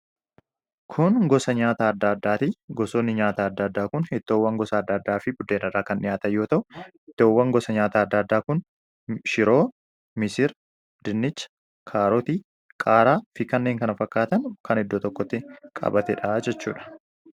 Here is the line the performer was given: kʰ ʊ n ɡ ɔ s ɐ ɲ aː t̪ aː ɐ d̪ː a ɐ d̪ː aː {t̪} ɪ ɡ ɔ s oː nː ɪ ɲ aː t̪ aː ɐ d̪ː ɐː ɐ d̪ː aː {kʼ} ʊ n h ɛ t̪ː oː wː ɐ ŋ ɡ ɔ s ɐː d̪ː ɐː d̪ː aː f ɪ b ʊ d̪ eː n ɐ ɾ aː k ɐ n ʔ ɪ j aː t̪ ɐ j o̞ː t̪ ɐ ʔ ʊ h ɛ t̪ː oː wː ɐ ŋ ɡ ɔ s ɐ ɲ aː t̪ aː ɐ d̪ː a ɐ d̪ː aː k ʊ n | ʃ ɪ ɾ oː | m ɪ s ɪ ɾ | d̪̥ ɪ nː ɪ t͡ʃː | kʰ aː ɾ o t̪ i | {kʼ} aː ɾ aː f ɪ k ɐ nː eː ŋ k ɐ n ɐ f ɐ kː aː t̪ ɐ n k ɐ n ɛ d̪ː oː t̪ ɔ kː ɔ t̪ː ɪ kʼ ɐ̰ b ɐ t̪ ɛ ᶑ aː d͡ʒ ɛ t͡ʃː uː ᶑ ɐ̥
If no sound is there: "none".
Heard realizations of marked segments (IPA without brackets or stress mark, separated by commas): t̪, k, kʼ